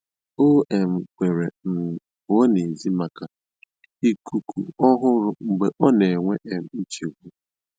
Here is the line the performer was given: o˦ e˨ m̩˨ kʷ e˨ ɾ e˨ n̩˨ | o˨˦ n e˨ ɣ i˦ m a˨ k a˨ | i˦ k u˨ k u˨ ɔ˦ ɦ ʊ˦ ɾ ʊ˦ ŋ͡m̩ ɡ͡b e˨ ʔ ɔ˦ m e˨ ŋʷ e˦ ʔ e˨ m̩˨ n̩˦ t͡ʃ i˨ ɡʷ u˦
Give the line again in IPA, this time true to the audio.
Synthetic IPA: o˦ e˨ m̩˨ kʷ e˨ ɾ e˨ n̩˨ | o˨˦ n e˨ z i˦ m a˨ k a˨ | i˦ k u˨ k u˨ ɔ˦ ɦ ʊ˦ ɾ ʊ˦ ŋ͡m̩ ɡ͡b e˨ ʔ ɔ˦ n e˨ ŋʷ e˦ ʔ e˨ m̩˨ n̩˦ t͡ʃ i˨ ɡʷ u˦